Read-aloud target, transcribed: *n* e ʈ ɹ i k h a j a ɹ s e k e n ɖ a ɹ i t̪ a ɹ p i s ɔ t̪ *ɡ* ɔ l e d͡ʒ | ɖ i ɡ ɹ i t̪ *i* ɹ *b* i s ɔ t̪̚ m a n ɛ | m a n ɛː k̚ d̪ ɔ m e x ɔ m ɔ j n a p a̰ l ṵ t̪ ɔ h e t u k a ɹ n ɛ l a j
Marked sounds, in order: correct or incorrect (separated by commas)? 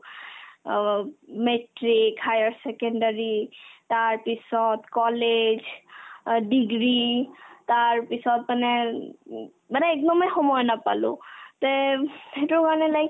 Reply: incorrect, incorrect, incorrect, incorrect